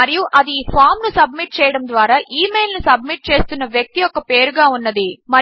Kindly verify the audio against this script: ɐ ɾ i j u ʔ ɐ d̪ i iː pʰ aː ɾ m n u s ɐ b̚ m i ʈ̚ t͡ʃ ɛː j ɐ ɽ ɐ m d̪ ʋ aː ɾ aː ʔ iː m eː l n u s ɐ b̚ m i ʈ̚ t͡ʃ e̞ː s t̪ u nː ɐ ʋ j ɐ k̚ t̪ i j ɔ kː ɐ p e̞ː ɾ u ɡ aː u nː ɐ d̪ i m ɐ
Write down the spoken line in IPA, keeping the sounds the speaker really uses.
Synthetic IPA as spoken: ɐ ɾ i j u ʔ ɐ d̪ i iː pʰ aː ɾ m n u s ɐ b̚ m i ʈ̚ t͡ʃ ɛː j ɐ ɽ ɐ m d̪ ʋ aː ɾ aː ʔ iː m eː l n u s ɐ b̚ m i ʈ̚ t͡ʃ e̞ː s t̪ u nː ɐ ʋ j ɐ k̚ t̪ i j ɔ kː ɐ p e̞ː ɾ u ɡ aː u nː ɐ d̪ i m ɐ